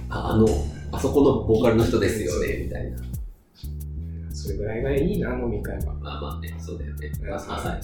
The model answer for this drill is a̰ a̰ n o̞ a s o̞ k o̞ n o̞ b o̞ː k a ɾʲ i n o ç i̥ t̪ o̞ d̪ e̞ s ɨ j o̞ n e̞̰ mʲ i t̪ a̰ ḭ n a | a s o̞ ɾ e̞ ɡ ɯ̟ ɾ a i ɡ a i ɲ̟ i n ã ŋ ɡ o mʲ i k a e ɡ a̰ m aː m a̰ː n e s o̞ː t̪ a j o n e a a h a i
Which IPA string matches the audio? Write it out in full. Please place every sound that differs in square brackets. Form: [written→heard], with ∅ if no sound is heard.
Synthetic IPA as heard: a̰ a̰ n o̞ a s o̞ k o̞ n o̞ b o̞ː k a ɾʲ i n o ç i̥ t̪ o̞ d̪ e̞ s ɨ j o̞ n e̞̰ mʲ i t̪ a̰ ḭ n a | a s o̞ ɾ e̞ ɡ ɯ̟ ɾ a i ɡ a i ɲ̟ i n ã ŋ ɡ o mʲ i k a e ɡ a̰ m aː m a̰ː n e s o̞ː [t̪→d̪] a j o n e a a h a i